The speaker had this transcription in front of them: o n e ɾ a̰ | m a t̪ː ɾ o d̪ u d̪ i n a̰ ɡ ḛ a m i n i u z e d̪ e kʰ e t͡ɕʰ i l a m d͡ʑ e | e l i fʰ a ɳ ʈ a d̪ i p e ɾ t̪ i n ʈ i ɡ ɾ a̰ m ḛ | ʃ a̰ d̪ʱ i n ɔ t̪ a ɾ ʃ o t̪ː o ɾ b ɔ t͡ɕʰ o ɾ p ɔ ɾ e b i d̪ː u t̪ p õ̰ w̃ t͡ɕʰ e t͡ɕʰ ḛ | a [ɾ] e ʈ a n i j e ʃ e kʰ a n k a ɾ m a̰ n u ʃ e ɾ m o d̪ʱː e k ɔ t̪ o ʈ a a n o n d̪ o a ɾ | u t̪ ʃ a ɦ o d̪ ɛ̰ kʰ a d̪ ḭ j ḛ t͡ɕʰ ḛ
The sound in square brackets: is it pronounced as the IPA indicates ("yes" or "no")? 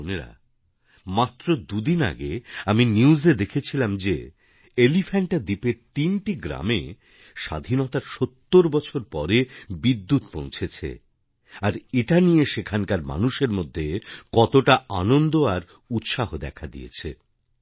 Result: yes